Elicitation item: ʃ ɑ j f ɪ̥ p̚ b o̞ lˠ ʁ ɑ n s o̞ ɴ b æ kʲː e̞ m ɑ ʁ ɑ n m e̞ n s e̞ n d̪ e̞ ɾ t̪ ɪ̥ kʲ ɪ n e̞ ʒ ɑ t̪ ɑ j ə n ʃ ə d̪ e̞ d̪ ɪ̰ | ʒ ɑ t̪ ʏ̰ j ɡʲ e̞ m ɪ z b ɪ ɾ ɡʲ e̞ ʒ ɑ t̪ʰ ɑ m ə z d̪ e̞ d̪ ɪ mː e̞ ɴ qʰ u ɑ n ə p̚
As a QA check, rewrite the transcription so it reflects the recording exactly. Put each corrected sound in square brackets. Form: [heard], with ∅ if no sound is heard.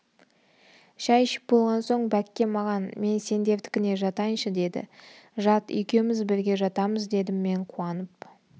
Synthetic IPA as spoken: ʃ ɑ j [ʃ] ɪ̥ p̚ b o̞ lˠ ʁ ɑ n s o̞ ɴ b æ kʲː e̞ m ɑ ʁ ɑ n m e̞ n s e̞ n d̪ e̞ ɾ t̪ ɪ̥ kʲ ɪ n e̞ ʒ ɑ t̪ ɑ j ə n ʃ ə d̪ e̞ d̪ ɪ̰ | ʒ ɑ t̪ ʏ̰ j [kʲ] e̞ m ɪ z b ɪ ɾ ɡʲ e̞ ʒ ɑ [t̪] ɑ m ə z d̪ e̞ d̪ ɪ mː e̞ ɴ qʰ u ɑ n ə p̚